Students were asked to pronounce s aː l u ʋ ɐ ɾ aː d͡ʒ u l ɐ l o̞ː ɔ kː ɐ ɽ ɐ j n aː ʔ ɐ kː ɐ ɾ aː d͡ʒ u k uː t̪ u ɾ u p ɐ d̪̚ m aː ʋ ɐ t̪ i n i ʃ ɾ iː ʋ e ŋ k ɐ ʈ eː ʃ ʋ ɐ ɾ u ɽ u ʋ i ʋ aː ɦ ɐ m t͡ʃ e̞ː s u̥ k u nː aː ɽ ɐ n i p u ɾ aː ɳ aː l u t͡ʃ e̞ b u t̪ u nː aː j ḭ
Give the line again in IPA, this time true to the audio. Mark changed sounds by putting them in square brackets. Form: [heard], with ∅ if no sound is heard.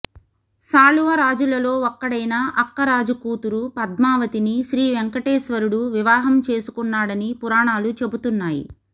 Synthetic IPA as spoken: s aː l u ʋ ɐ ɾ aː d͡ʒ u l ɐ l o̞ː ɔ kː ɐ ɽ ɐ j n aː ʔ ɐ kː ɐ ɾ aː d͡ʒ u k uː t̪ u ɾ u p ɐ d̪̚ m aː ʋ ɐ t̪ i n i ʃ ɾ iː ʋ e ŋ k ɐ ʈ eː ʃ ʋ ɐ ɾ u ɽ u ʋ i ʋ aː ɦ ɐ m t͡ʃ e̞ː s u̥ k u nː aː ɽ ɐ n i p u ɾ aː ɳ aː l u t͡ʃ e̞ b u t̪ u nː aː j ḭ

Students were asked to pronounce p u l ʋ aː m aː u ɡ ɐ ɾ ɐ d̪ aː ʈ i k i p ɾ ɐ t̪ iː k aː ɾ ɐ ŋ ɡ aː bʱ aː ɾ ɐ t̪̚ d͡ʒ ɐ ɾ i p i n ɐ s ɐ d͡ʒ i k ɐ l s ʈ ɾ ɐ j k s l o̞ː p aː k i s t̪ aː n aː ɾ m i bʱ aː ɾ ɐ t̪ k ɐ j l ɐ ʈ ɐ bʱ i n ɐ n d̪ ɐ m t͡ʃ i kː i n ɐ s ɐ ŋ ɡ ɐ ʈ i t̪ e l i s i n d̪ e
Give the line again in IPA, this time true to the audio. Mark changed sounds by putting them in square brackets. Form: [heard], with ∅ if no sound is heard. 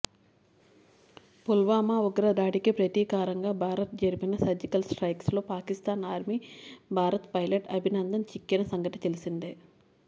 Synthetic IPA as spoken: p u l ʋ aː m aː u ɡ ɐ ɾ ɐ d̪ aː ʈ i k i p ɾ ɐ t̪ iː k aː ɾ ɐ ŋ ɡ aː bʱ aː ɾ ɐ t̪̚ d͡ʒ ɐ ɾ i p i n ɐ s ɐ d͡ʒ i k ɐ l s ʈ ɾ ɐ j k s l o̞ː p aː k i s t̪ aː n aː ɾ m i bʱ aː ɾ ɐ t̪ [p] ɐ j l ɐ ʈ ɐ bʱ i n ɐ n d̪ ɐ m t͡ʃ i kː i n ɐ s ɐ ŋ ɡ ɐ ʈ i t̪ e l i s i n d̪ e

